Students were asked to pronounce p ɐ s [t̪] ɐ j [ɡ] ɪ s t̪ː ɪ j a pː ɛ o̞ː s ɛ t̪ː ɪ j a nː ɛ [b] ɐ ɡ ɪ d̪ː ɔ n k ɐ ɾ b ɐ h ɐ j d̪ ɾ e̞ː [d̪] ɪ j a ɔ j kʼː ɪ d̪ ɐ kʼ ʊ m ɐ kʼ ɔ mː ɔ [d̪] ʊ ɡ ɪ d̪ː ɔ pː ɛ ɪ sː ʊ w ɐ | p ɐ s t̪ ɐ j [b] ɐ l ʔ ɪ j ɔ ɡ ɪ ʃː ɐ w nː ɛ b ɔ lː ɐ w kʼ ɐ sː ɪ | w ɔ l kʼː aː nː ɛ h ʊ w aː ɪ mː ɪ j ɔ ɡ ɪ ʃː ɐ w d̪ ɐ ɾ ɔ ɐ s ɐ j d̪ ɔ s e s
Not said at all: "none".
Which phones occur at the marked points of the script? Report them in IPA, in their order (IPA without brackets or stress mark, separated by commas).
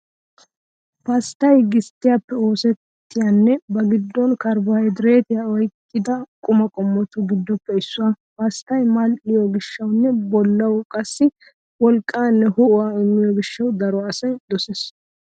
t̪, ɡ, b, t̪, t̪, m